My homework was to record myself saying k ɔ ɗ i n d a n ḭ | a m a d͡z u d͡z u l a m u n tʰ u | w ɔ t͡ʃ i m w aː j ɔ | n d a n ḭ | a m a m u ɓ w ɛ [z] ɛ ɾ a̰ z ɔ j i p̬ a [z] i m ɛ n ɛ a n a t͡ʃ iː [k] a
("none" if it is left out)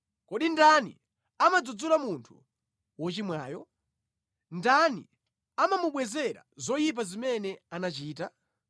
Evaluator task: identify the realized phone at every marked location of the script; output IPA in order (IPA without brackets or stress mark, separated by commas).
z, z, t